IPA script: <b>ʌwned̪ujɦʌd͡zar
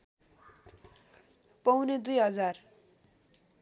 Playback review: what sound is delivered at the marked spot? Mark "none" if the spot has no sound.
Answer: p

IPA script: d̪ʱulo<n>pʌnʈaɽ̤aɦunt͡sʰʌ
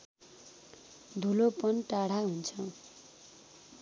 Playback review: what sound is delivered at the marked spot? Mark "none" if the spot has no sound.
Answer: none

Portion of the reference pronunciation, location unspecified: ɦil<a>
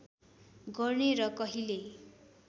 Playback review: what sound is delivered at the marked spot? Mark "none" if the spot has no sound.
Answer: e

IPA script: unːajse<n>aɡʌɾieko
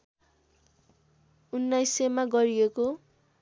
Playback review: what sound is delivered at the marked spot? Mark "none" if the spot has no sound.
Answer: m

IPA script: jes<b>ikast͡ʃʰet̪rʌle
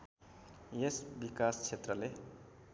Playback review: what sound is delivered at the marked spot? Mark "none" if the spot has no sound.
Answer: b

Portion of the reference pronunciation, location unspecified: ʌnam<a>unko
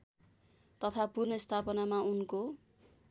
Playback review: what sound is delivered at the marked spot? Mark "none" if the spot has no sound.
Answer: a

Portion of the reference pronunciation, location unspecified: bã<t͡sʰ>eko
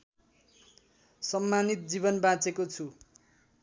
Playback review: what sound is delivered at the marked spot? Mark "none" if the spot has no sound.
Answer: t͡s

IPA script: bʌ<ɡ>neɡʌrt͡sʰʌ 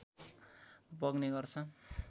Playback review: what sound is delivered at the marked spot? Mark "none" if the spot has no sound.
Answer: ɡ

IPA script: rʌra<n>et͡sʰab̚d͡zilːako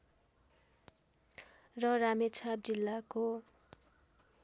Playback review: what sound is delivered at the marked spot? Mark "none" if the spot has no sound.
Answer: m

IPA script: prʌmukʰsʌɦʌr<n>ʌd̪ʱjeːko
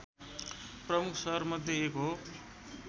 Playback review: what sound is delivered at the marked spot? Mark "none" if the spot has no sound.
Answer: m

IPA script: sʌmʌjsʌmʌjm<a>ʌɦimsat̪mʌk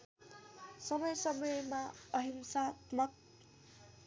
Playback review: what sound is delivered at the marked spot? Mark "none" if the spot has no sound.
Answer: a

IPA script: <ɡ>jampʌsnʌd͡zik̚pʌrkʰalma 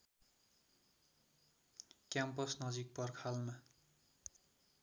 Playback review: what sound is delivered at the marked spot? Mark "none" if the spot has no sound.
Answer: k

